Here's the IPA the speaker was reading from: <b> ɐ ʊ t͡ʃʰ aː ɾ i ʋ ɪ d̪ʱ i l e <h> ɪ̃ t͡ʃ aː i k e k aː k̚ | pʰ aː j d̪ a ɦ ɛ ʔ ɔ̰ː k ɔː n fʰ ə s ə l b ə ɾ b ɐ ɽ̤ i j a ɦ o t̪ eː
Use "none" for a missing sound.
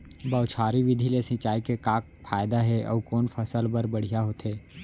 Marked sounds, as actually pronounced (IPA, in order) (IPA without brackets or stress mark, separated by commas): b, s